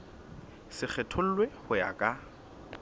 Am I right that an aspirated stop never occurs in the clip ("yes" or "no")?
no